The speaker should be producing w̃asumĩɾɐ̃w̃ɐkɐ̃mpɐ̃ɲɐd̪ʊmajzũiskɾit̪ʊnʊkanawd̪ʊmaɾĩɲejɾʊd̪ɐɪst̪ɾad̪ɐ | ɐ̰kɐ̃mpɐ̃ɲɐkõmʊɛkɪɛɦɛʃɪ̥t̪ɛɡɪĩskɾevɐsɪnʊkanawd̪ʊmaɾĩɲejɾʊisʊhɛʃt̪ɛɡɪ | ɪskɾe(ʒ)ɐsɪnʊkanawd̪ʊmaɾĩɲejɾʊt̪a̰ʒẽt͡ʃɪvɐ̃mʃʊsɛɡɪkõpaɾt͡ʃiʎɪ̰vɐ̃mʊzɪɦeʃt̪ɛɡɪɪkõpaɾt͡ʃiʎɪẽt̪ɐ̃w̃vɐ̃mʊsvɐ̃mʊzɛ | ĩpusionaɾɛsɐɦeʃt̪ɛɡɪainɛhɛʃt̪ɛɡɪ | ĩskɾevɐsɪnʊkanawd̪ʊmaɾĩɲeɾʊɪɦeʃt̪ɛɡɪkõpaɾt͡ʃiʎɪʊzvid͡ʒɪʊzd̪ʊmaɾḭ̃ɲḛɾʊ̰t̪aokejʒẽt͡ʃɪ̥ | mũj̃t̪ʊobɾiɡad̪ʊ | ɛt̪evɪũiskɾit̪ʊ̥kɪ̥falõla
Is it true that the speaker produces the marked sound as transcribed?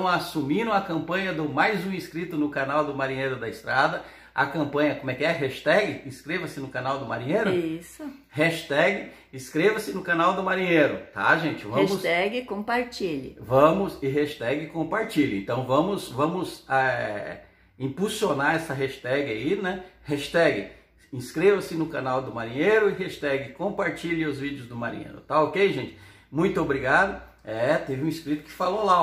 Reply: no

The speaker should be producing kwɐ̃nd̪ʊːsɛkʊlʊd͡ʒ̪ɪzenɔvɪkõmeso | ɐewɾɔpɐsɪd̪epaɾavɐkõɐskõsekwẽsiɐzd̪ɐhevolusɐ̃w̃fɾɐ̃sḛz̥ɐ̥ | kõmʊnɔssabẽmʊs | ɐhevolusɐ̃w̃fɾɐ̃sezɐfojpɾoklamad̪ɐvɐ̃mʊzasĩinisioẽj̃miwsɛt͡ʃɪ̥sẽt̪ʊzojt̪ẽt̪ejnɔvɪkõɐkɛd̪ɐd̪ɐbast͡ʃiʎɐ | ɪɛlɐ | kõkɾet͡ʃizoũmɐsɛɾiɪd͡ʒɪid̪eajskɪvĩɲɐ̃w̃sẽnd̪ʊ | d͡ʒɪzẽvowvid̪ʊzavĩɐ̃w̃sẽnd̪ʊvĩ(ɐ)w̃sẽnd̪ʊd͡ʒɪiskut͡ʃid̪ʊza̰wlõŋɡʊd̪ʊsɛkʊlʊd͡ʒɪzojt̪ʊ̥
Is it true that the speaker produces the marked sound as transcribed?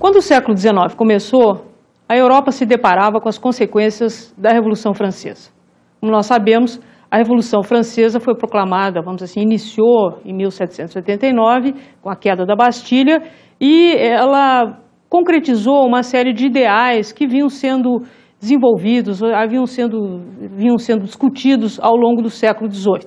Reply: no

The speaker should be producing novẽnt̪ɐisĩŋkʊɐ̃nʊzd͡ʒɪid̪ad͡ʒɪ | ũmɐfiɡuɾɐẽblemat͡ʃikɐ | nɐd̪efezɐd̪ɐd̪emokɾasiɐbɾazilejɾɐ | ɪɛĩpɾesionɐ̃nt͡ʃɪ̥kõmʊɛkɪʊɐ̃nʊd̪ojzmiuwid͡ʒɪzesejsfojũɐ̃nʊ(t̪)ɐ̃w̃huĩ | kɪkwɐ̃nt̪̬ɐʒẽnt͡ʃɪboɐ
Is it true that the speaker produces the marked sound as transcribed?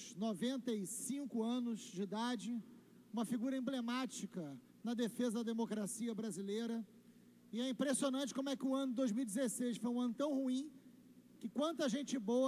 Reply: yes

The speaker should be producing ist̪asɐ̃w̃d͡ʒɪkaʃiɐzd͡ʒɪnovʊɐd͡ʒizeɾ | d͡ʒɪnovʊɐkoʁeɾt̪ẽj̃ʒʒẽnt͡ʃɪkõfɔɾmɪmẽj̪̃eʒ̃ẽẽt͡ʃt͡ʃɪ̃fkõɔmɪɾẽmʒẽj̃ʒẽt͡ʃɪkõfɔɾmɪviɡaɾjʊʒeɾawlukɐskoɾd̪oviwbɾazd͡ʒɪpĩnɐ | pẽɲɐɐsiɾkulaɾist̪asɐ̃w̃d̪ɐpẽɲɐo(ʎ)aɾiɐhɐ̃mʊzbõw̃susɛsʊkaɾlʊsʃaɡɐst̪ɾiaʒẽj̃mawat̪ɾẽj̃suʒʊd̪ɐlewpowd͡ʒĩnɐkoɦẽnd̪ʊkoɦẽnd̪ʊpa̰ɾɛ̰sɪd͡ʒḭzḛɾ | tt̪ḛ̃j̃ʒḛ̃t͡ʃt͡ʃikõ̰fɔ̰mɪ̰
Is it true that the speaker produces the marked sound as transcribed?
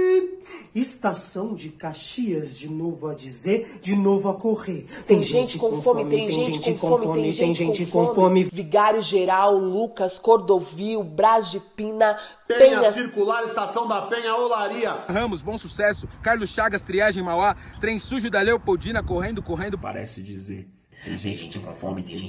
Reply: no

